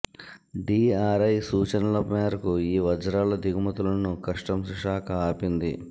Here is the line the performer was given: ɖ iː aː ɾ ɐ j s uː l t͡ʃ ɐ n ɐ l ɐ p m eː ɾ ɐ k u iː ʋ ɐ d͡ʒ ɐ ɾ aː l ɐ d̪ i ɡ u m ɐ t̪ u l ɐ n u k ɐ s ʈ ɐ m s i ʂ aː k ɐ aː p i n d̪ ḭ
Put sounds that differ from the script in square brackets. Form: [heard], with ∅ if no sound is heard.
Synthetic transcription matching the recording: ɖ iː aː ɾ ɐ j s uː [∅] t͡ʃ ɐ n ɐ l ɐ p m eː ɾ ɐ k u iː ʋ ɐ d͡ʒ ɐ ɾ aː l ɐ d̪ i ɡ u m ɐ t̪ u l ɐ n u k ɐ [ʂ] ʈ ɐ m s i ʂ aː k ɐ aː p i n d̪ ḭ